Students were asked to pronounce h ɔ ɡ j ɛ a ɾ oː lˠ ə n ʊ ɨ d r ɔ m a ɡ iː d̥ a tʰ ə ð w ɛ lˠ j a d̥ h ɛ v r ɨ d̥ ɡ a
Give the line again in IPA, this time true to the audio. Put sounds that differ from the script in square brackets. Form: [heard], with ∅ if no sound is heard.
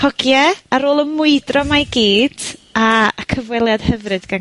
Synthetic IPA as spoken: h ɔ ɡ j ɛ a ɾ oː lˠ ə [m] ʊ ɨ d r ɔ m a ɡ iː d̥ a [kʰ] ə [v] w ɛ lˠ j a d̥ h ɛ v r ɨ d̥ ɡ a